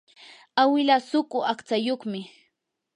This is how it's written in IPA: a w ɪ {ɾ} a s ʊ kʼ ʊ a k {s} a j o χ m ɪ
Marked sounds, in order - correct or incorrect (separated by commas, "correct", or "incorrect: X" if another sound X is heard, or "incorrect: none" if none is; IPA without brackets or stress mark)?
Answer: incorrect: l, incorrect: t͡s